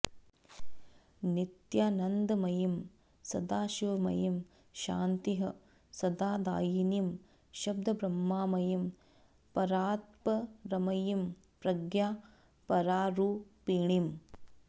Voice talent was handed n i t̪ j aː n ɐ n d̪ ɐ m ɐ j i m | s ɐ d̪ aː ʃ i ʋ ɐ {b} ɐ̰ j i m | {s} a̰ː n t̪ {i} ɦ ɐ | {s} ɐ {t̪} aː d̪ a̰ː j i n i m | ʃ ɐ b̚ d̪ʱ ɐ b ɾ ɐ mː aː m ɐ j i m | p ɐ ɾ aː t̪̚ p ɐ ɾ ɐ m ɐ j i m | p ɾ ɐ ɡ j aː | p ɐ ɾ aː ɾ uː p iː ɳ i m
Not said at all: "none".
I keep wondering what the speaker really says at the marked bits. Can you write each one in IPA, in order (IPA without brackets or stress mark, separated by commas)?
m, ʃ, i, s, d̪